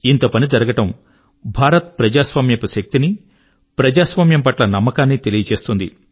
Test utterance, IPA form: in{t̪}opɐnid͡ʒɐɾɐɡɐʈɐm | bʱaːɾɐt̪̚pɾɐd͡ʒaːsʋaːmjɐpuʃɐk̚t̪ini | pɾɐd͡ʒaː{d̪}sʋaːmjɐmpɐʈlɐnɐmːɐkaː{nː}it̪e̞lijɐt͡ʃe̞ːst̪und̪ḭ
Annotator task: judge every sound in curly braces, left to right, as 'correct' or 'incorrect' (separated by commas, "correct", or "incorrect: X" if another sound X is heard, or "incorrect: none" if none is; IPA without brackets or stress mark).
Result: correct, incorrect: none, correct